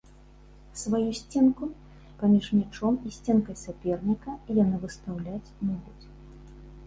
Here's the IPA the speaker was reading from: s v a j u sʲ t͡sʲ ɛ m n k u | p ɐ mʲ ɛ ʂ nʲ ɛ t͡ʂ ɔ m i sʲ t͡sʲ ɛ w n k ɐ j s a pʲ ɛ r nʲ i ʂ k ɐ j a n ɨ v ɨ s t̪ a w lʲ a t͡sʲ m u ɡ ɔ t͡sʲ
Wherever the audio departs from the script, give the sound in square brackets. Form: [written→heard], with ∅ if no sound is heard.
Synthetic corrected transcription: s v a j u sʲ t͡sʲ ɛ [m→∅] n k u | p [ɐ→a] mʲ [ɛ→i] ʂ [nʲ→mʲ] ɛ t͡ʂ ɔ m i sʲ t͡sʲ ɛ [w→∅] n k ɐ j s a pʲ ɛ r nʲ i [ʂ→∅] k ɐ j a n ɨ v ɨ s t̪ a w lʲ a t͡sʲ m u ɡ [ɔ→u] t͡sʲ